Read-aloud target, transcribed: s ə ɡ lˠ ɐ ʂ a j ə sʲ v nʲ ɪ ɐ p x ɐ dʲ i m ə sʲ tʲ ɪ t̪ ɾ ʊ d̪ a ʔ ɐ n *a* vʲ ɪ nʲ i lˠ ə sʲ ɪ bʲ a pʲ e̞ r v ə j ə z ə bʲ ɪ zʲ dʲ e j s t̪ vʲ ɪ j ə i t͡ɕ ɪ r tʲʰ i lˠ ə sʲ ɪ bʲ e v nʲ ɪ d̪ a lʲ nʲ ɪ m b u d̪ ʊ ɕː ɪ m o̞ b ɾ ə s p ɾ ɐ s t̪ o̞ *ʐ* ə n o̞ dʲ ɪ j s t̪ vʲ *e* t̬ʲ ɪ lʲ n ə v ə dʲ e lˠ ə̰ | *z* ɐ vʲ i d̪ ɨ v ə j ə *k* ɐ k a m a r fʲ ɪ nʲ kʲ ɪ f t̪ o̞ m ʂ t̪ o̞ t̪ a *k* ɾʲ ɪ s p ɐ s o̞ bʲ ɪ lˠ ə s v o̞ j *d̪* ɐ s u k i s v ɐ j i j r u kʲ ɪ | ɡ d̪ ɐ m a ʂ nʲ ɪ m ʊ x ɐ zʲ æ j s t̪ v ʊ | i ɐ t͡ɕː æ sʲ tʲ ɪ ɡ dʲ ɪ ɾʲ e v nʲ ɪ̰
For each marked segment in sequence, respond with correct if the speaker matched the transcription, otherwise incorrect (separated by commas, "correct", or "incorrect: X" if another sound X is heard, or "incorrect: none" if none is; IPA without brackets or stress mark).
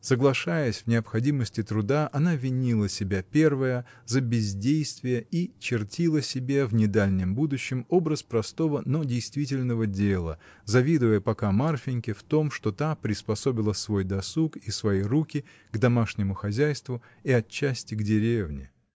correct, incorrect: v, incorrect: i, correct, incorrect: p, incorrect: p, correct